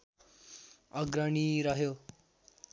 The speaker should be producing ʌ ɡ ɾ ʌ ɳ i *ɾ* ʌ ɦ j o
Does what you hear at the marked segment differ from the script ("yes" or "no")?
no